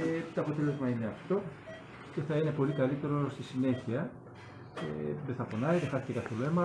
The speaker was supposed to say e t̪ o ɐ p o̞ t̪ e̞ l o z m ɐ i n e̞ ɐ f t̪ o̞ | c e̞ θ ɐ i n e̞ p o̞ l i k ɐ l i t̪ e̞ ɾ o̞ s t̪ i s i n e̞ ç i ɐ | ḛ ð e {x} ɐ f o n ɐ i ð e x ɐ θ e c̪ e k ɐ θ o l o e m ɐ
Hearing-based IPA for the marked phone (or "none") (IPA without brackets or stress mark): θ